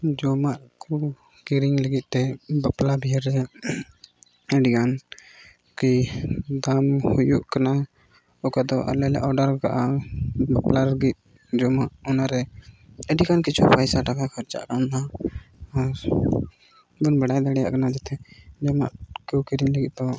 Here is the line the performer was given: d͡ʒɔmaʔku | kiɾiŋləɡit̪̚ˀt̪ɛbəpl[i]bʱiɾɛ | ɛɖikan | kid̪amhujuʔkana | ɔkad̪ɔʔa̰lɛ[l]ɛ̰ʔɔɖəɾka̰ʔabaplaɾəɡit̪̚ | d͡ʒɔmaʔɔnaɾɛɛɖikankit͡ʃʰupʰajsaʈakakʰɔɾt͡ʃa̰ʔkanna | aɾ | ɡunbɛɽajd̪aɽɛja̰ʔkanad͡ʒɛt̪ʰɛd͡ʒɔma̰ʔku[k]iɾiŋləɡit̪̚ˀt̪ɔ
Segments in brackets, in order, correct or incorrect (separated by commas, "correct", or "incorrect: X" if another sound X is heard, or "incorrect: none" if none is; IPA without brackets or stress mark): incorrect: a, correct, correct